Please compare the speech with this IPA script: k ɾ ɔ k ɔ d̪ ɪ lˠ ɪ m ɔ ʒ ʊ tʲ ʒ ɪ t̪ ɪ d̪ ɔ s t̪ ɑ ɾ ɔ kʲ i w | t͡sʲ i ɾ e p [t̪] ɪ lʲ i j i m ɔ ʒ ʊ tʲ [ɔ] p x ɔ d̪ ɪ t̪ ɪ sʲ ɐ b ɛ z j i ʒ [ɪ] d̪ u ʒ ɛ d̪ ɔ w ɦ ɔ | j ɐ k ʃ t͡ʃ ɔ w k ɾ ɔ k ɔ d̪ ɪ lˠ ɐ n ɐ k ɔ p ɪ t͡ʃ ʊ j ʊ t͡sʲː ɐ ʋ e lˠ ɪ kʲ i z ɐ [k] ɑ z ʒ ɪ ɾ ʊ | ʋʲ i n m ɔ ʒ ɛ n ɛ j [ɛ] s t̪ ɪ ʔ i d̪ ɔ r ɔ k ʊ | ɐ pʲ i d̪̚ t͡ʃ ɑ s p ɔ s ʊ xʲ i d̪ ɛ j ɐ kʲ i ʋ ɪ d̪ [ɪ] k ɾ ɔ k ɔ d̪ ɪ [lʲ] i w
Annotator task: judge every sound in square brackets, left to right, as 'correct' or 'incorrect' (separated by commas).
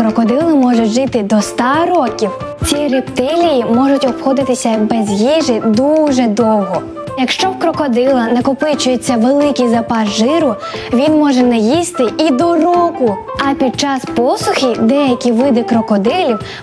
correct, correct, correct, incorrect, incorrect, correct, correct